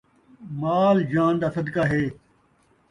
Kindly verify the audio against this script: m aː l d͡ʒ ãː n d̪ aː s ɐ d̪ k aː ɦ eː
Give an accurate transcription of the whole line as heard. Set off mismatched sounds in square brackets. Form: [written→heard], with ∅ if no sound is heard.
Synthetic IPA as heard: m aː l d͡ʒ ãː n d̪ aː s ɐ d̪ k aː ɦ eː